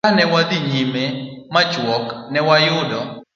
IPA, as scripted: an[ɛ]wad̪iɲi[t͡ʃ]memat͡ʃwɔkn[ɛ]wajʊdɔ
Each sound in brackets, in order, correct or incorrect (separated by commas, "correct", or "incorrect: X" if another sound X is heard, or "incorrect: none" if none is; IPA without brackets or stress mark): correct, incorrect: none, correct